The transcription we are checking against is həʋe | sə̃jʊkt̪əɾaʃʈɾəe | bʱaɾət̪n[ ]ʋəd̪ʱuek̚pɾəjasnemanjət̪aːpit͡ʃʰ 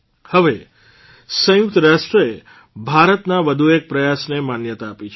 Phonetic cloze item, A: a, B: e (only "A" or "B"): A